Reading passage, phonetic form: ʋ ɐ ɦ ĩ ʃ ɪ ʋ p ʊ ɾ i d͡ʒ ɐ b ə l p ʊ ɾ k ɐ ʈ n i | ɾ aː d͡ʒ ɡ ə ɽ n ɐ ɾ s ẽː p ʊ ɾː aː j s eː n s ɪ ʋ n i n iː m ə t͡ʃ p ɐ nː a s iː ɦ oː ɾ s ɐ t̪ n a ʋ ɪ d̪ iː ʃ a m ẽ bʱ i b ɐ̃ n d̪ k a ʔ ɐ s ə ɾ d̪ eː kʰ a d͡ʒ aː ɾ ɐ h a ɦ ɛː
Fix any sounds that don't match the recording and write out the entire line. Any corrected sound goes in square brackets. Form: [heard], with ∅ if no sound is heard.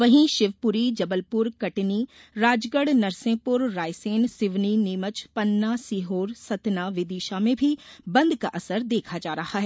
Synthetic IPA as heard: ʋ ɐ ɦ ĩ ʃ ɪ ʋ p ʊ ɾ i d͡ʒ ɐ b ə l p ʊ ɾ k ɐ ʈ n i | ɾ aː d͡ʒ ɡ ə ɽ n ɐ ɾ s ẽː p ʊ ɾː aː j s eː n s ɪ ʋ n i n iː m ə t͡ʃ p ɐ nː a s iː ɦ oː ɾ s ɐ t̪ n a ʋ ɪ d̪ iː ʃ a m ẽ bʱ i b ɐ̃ n d̪ k a ʔ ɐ s ə ɾ d̪ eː kʰ a d͡ʒ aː ɾ ɐ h a ɦ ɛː

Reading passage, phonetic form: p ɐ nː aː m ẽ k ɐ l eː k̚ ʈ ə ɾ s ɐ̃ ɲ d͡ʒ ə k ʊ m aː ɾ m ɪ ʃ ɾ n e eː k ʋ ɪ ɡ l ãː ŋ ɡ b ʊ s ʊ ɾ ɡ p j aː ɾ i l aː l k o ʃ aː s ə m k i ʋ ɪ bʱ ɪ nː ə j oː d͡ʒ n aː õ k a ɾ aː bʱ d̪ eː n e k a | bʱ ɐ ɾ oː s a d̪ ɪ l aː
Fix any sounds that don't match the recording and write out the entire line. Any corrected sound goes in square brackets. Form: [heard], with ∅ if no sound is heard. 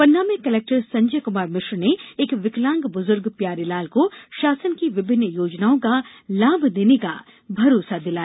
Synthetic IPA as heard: p ɐ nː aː m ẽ k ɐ l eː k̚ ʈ ə ɾ s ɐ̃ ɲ d͡ʒ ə k ʊ m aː ɾ m ɪ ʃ ɾ n e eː k ʋ ɪ [k] l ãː ŋ ɡ b ʊ [z] ʊ ɾ ɡ p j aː ɾ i l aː l k o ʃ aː s ə [n] k i ʋ ɪ bʱ ɪ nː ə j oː d͡ʒ n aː õ k a [l] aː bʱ d̪ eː n e k a | bʱ ɐ ɾ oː s a d̪ ɪ l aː

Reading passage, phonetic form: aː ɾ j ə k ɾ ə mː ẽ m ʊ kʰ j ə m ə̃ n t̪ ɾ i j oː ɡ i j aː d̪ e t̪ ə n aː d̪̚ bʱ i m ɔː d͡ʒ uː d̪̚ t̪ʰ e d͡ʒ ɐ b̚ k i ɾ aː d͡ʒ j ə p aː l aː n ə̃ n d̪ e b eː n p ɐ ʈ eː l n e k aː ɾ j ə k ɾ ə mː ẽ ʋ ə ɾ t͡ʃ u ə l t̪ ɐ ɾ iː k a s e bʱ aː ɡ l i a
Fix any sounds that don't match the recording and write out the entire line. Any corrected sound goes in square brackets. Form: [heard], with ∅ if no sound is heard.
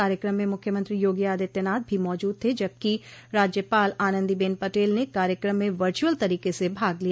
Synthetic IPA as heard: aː ɾ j ə k ɾ ə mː ẽ m ʊ kʰ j ə m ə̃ n t̪ ɾ i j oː ɡ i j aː d̪ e t̪ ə n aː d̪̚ bʱ i m ɔː d͡ʒ uː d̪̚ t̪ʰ e d͡ʒ ɐ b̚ k i ɾ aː d͡ʒ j ə p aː l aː n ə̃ n d̪ [i] b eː n p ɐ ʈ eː l n e k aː ɾ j ə k ɾ ə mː ẽ ʋ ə ɾ t͡ʃ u ə l t̪ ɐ ɾ iː k [e] s e bʱ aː ɡ l i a

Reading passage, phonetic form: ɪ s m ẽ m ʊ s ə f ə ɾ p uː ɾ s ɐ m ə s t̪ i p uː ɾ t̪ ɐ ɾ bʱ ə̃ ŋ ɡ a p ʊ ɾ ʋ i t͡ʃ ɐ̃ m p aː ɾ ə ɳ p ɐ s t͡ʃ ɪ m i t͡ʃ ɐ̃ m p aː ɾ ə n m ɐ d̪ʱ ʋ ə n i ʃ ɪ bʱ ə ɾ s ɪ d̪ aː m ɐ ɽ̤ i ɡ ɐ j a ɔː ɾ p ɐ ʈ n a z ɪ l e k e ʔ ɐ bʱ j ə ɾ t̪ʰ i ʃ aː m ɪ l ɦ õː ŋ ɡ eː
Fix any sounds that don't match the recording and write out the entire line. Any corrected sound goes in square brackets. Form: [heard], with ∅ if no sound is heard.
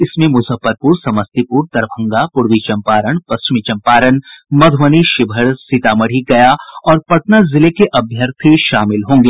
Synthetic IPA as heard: ɪ s m ẽ m ʊ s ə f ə ɾ p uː ɾ s ɐ m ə s t̪ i p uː ɾ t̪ ɐ ɾ bʱ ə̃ ŋ ɡ a p ʊ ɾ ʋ i t͡ʃ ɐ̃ m p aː ɾ ə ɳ p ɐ s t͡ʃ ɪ m i t͡ʃ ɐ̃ m p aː ɾ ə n m ɐ d̪ʱ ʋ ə n i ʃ ɪ bʱ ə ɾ s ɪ [t̪] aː m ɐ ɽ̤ i ɡ ɐ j a ɔː ɾ p ɐ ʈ n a z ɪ l e k e ʔ ɐ bʱ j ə ɾ t̪ʰ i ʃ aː m ɪ l ɦ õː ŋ ɡ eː

